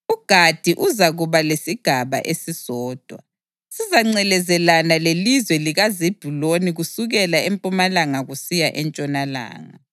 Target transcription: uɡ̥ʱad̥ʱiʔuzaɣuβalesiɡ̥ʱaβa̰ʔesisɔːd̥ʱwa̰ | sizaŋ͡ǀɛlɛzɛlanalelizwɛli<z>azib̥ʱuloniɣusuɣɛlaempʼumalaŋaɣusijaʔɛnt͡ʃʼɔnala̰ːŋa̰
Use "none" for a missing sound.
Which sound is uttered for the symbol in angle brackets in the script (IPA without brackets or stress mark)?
ɣ